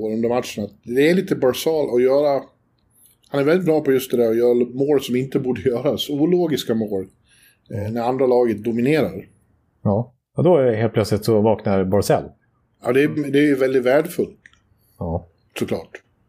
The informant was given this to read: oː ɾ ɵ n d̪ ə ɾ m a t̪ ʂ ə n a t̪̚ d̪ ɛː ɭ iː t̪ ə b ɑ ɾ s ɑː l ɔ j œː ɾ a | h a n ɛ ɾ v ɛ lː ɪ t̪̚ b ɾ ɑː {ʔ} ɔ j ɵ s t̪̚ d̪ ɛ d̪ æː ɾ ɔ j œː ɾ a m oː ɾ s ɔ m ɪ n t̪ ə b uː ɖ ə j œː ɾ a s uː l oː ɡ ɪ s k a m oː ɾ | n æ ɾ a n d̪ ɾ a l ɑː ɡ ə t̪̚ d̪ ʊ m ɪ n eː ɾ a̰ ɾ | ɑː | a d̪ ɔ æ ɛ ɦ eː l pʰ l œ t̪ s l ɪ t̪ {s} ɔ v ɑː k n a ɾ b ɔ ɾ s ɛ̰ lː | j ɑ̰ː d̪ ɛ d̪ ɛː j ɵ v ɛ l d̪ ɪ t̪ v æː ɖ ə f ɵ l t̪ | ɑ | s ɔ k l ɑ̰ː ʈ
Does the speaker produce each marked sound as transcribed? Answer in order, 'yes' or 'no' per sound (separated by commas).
no, yes